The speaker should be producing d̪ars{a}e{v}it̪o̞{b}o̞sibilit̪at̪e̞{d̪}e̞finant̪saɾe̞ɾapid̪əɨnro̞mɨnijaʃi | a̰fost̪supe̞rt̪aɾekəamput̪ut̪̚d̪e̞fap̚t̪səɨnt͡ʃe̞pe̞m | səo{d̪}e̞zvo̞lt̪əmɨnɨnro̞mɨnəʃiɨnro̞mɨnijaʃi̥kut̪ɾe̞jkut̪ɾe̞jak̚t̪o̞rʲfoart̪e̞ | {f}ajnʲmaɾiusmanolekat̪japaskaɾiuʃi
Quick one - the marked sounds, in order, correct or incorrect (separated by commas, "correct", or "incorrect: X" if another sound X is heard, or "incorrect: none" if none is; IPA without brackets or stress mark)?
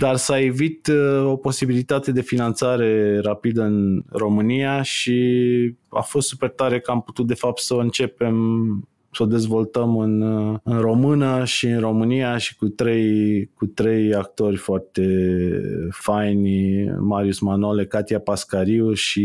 correct, correct, incorrect: p, correct, correct, correct